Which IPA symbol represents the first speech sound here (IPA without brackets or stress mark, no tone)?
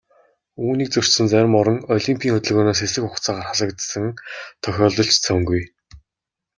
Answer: uː